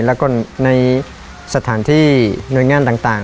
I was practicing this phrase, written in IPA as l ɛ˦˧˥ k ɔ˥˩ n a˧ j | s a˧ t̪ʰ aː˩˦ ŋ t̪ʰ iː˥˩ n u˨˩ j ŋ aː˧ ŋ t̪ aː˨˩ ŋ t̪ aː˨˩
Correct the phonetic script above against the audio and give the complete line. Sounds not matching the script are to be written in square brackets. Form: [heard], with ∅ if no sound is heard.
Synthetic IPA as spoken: l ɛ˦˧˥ k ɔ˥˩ n a˧ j | s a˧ t̪ʰ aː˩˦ [n] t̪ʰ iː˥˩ n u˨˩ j ŋ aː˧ [n] t̪ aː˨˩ ŋ t̪ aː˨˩